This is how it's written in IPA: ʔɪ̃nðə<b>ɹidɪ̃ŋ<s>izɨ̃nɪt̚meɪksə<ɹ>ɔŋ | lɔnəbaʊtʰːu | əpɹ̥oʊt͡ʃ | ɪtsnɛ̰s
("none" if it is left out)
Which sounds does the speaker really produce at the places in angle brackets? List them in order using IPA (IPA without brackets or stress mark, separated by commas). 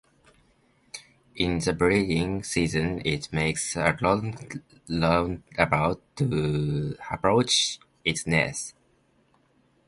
b, s, l